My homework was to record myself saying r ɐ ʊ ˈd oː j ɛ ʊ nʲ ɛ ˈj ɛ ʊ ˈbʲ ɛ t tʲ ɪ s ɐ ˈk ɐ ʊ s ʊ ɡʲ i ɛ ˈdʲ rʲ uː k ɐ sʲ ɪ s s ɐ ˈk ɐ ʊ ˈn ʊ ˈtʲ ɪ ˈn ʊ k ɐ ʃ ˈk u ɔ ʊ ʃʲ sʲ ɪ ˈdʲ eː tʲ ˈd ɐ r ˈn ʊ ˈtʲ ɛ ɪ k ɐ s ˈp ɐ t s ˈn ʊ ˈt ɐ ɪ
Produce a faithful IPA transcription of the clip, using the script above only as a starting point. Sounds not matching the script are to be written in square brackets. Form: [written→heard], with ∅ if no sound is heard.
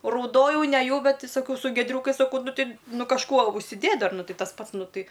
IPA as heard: r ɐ ʊ ˈd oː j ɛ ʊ nʲ ɛ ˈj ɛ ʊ ˈbʲ ɛ t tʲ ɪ s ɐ ˈk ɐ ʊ s ʊ ɡʲ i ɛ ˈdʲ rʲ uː k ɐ [sʲ→∅] ɪ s s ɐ ˈk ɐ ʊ ˈn ʊ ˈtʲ ɪ ˈn ʊ k ɐ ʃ ˈk u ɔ ʊ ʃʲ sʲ ɪ ˈdʲ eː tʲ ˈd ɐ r ˈn ʊ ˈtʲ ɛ ɪ [k→t] ɐ s ˈp ɐ t s ˈn ʊ ˈt ɐ ɪ